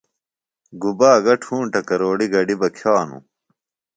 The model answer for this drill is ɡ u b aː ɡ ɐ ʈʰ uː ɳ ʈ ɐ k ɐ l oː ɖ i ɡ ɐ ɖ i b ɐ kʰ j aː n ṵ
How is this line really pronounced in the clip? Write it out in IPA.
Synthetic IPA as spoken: ɡ u b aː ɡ ɐ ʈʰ uː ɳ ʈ ɐ k ɐ ɾ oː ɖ i ɡ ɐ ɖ i b ɐ kʰ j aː n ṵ